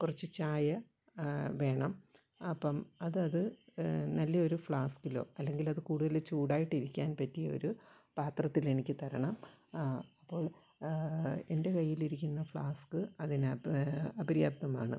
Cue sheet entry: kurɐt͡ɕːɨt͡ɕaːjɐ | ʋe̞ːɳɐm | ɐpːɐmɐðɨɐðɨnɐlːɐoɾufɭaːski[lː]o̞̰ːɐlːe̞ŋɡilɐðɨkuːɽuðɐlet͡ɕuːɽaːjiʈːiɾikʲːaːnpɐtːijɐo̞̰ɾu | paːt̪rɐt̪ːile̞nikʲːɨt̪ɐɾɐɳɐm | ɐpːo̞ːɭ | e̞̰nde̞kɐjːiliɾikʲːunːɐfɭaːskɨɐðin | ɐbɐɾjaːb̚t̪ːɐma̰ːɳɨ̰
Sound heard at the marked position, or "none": l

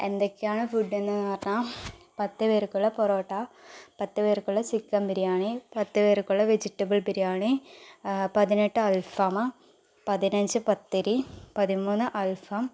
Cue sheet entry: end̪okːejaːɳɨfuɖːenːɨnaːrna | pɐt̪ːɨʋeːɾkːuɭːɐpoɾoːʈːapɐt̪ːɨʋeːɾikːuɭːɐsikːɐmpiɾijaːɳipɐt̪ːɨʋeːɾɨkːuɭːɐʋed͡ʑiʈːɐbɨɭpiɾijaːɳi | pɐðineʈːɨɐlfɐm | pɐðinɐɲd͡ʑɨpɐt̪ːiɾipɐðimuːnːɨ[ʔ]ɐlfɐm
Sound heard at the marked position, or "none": ʔ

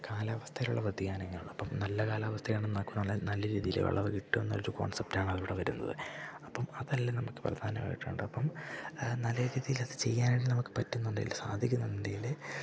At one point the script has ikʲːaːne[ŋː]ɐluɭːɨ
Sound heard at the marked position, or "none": ŋː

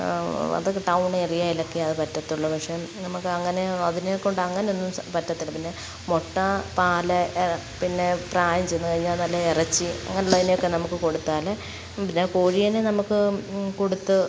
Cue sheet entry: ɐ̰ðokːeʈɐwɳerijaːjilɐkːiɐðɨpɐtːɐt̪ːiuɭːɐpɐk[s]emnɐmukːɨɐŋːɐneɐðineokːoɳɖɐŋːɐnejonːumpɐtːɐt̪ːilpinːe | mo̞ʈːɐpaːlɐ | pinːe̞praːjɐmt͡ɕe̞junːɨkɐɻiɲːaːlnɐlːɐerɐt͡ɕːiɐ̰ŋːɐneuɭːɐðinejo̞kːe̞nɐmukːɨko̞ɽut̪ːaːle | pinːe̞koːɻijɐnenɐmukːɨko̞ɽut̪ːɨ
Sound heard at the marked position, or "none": ʂ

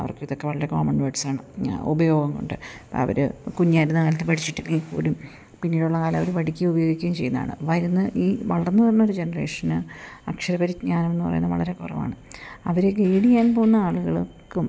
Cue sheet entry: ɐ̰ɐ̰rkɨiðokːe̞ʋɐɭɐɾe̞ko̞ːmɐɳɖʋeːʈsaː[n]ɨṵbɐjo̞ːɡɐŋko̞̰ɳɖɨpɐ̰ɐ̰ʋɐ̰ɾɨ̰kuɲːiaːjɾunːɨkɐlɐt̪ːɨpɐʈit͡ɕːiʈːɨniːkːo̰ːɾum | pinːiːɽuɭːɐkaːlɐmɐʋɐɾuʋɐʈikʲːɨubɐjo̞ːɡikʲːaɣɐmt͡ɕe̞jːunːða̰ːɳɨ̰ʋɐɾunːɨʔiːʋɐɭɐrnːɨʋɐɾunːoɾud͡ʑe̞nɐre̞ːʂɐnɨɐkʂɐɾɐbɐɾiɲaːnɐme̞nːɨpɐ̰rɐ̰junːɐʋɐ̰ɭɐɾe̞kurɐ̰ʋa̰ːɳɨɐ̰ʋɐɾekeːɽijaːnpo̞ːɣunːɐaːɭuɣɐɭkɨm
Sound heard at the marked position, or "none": ɳ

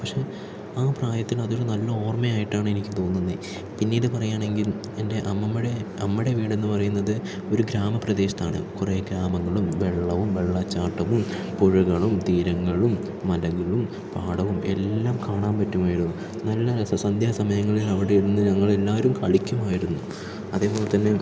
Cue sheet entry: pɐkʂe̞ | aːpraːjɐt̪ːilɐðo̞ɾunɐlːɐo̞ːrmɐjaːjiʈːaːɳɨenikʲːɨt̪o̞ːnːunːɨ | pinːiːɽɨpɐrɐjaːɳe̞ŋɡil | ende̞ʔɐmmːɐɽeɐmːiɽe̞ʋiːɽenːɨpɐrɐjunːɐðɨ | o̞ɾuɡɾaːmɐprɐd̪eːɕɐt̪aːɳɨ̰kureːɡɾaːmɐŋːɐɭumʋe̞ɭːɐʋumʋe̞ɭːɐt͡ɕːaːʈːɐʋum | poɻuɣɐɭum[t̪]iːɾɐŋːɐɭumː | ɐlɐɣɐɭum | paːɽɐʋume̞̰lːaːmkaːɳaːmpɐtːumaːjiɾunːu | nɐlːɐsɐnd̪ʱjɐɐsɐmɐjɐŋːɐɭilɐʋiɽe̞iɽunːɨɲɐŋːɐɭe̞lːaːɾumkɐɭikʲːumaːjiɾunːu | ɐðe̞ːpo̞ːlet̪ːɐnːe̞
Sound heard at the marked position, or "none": t̪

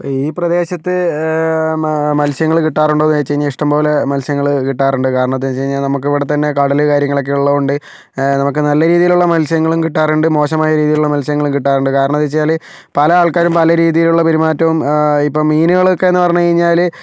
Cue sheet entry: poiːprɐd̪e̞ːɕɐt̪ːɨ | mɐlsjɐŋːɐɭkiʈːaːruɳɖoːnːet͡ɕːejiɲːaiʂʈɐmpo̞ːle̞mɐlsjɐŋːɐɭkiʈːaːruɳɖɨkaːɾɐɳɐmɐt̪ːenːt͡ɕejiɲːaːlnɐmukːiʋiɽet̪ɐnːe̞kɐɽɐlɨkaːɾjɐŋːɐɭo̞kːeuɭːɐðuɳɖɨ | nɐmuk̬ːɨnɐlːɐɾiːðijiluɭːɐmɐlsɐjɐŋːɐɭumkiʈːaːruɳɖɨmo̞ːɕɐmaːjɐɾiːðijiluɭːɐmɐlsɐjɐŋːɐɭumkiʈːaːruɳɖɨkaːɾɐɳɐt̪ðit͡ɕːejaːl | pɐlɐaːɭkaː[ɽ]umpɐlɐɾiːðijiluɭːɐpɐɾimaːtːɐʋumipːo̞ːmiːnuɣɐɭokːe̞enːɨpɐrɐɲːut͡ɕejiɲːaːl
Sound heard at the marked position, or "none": ɾ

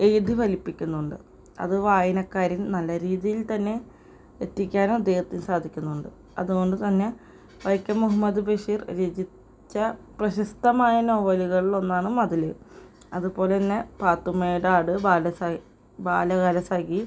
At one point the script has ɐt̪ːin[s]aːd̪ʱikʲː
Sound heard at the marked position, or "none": s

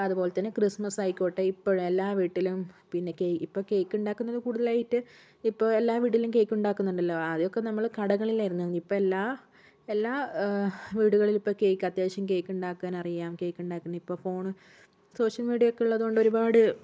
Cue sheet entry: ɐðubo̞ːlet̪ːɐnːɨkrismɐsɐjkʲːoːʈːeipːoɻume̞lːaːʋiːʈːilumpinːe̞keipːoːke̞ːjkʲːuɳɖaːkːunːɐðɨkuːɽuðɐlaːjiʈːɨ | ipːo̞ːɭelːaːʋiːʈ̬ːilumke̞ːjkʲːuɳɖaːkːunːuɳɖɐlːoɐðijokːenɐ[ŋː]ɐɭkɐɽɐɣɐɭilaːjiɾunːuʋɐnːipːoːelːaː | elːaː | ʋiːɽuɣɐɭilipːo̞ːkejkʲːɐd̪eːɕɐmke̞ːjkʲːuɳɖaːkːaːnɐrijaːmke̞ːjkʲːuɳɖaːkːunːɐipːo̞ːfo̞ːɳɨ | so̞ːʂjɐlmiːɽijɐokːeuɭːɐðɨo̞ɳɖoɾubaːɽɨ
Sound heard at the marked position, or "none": mː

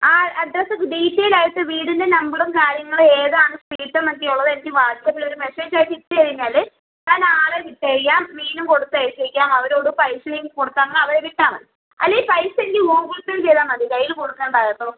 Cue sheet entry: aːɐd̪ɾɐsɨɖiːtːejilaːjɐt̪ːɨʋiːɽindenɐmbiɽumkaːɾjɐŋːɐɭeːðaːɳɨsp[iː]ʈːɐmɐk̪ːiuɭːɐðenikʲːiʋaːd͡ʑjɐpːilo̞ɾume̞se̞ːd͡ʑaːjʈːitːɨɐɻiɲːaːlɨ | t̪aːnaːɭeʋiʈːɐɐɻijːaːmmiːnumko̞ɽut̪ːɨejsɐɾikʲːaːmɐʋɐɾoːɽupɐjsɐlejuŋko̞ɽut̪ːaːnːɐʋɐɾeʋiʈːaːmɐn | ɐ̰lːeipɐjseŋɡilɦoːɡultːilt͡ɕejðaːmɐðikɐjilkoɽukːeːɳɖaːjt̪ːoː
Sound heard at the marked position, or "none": iː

